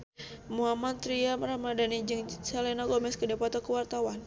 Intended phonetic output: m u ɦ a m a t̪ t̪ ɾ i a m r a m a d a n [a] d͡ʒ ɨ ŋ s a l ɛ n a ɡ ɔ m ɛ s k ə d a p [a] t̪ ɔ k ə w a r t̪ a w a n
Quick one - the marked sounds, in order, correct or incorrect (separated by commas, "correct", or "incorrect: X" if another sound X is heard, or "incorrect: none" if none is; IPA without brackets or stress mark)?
incorrect: i, correct